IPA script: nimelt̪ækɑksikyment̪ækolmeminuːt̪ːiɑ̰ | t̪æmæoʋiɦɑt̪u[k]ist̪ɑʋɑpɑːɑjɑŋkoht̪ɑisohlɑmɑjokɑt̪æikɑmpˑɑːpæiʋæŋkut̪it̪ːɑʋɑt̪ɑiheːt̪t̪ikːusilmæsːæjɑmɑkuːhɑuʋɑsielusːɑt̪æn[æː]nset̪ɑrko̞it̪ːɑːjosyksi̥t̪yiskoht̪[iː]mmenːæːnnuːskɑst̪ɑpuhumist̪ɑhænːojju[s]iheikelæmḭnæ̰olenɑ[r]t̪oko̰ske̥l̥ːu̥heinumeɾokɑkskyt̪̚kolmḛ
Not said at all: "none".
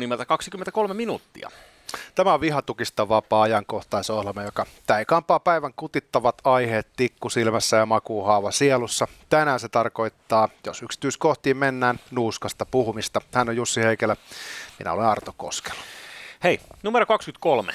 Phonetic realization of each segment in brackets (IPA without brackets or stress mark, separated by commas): k, æː, iː, sː, r